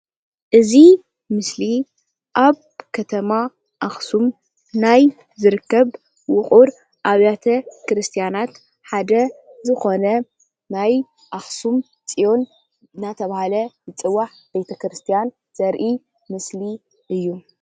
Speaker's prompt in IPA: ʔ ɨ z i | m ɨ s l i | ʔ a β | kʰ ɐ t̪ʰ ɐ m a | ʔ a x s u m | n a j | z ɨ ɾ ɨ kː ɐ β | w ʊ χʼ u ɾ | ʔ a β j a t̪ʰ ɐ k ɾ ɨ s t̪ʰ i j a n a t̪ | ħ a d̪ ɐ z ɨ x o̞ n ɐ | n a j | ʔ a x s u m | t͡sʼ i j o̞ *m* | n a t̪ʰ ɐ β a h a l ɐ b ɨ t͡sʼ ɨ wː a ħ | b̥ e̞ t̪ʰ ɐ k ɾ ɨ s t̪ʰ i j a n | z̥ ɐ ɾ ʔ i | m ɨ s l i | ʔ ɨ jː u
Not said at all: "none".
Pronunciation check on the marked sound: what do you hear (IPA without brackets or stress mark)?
n